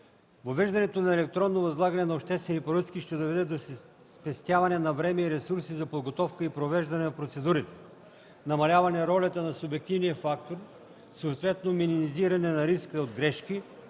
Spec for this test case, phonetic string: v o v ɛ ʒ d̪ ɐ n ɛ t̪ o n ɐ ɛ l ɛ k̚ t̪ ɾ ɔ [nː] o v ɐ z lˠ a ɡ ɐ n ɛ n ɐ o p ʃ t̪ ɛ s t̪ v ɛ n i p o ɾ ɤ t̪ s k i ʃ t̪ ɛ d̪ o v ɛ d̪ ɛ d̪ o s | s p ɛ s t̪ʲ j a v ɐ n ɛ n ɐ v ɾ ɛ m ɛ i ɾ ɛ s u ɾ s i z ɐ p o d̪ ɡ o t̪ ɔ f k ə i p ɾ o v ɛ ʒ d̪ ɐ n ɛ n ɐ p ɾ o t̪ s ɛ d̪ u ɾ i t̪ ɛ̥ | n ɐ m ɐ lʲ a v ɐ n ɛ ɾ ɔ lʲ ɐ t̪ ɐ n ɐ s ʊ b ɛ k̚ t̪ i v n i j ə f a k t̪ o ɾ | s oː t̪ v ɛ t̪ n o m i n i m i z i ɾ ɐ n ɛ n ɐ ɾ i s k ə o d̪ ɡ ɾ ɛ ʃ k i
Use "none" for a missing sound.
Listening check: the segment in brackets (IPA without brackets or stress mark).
nː